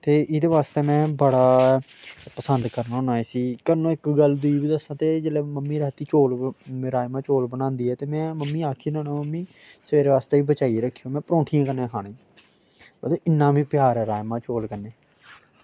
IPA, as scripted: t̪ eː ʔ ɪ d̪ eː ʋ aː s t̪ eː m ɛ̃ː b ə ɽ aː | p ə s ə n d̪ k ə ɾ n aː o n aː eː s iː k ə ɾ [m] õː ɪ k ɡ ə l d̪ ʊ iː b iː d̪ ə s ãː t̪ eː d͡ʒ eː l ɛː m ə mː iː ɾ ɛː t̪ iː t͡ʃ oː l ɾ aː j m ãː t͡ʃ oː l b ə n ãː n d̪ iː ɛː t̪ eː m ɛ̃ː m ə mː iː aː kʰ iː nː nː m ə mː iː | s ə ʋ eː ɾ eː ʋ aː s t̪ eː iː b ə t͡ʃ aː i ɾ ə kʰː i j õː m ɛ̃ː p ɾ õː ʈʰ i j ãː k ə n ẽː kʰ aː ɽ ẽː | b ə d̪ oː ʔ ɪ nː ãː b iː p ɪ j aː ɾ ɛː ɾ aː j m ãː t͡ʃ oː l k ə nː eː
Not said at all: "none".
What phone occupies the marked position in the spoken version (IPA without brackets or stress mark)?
n